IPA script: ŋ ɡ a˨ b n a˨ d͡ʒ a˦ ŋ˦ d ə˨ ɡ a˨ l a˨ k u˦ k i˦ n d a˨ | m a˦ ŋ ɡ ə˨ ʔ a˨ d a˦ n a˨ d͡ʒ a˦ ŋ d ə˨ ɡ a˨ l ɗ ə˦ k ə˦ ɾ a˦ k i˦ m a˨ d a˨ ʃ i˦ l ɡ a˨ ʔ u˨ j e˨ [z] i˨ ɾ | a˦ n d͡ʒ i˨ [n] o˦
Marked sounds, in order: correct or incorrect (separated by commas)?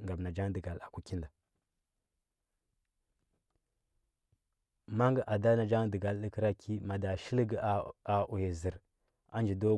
correct, incorrect